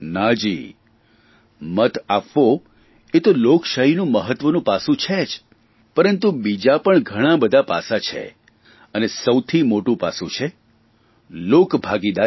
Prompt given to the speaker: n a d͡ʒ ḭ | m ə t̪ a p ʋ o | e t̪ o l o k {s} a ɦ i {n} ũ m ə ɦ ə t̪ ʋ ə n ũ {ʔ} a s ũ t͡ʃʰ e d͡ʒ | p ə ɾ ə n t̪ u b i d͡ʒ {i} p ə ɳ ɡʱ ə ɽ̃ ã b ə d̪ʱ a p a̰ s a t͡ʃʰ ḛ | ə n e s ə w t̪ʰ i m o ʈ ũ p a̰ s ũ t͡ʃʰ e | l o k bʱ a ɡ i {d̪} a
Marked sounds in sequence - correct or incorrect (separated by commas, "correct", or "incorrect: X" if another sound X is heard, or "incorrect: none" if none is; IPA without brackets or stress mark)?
incorrect: ʃ, correct, incorrect: p, incorrect: a, correct